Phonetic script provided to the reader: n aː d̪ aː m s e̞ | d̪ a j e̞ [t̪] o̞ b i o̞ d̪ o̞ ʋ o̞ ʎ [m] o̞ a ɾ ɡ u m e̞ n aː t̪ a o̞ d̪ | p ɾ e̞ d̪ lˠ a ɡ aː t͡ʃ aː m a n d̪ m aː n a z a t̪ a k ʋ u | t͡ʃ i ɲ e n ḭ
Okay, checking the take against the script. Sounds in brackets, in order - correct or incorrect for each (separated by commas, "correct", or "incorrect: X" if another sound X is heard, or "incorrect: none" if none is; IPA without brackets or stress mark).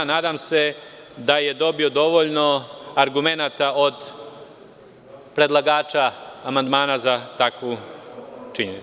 incorrect: d̪, incorrect: n